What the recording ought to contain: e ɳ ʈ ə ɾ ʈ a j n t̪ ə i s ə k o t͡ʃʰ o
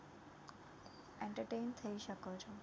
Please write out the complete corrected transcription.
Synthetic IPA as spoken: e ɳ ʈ ə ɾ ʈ e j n t̪ʰ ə i ʃ ə k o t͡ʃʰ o